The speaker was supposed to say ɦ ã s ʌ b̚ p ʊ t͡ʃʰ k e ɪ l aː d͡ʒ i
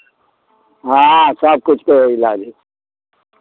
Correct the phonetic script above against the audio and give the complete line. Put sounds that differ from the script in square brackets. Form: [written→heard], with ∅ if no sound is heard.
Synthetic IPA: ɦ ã s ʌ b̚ [p→k] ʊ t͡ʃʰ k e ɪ l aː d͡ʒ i